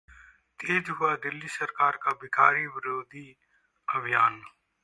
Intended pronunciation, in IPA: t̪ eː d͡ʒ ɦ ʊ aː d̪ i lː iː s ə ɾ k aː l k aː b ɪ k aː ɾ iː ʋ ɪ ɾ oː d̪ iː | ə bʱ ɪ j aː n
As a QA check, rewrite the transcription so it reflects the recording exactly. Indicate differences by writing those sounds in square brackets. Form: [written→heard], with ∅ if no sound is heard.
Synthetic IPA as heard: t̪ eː d͡ʒ ɦ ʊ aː d̪ [i→ɪ] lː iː s ə ɾ k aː [l→ɾ] k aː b ɪ k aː ɾ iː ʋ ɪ ɾ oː d̪ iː | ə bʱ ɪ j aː n